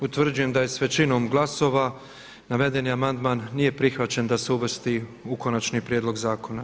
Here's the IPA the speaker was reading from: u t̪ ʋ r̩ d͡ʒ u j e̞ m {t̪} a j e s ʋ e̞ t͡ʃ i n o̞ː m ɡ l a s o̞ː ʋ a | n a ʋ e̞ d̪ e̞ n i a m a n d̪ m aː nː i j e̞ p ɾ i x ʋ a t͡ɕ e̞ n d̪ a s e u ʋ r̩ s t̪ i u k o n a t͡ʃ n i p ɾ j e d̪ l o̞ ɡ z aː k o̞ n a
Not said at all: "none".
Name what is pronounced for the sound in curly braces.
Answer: d̪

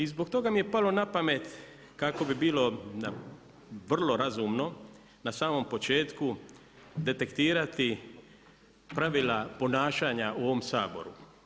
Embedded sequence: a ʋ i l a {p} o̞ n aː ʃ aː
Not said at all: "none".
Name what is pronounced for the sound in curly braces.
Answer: p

